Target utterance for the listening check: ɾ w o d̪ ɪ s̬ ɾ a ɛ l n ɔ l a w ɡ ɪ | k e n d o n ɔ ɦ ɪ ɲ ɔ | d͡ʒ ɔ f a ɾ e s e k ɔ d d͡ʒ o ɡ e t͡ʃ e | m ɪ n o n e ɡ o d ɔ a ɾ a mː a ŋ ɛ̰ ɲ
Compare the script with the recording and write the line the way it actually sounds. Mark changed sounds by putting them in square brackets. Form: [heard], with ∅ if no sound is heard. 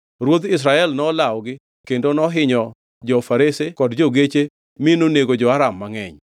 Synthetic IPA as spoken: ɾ w o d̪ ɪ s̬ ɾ a ɛ l n ɔ l a w ɡ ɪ | k e n d o n ɔ ɦ ɪ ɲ ɔ | d͡ʒ ɔ f a ɾ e s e k ɔ d d͡ʒ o ɡ e t͡ʃ e | m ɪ n o n e ɡ o [d͡ʒ] ɔ a ɾ a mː a ŋ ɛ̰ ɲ